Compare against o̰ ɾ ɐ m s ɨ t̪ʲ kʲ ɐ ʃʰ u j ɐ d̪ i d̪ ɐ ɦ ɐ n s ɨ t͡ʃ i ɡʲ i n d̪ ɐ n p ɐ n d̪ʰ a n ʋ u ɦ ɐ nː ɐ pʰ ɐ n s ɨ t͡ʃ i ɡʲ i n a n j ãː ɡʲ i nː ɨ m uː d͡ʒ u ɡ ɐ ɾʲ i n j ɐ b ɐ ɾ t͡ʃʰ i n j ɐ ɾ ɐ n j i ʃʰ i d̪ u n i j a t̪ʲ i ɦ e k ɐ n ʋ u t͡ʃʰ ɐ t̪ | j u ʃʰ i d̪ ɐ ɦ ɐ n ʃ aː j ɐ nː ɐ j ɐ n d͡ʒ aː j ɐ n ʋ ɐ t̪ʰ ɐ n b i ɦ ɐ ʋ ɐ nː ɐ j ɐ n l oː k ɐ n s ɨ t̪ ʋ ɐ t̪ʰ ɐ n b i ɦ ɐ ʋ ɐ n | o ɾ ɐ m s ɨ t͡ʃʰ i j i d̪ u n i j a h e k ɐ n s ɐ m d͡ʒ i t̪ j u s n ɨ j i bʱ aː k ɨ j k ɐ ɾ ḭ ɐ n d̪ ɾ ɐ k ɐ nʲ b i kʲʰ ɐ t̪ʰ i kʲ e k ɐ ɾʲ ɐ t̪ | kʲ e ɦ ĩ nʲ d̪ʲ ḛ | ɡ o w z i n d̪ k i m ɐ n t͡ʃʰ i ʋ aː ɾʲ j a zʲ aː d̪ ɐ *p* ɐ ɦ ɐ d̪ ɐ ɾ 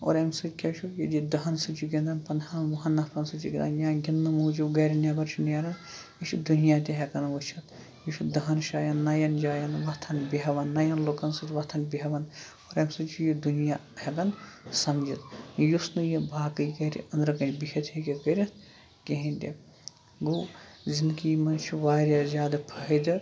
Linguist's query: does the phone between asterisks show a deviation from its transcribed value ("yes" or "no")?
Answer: yes